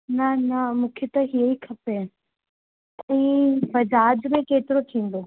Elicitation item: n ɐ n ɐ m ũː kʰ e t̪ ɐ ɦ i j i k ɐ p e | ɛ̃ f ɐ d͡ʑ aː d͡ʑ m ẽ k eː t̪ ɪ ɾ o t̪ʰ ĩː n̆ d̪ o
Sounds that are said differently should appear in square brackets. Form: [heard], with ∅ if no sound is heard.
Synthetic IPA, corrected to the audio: n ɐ n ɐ m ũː kʰ e t̪ ɐ ɦ i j i [kʰ] ɐ p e | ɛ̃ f ɐ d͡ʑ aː d͡ʑ m ẽ k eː t̪ ɪ ɾ o t̪ʰ ĩː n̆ d̪ o